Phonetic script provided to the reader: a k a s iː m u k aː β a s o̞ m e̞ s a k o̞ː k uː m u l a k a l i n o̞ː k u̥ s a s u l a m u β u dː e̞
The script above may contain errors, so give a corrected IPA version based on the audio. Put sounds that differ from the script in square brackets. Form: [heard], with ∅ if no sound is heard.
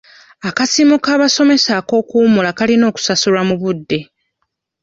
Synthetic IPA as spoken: a k a s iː m u k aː β a s o̞ m e̞ s a k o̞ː k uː m u l a k a l i n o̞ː k u̥ s a s u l a m u β u dː e̞